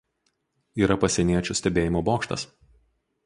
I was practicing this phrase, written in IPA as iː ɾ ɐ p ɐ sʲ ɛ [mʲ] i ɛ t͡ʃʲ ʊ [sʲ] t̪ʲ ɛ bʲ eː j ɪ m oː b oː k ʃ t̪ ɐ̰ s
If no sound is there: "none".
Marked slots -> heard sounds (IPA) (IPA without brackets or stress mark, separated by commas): nʲ, sʲ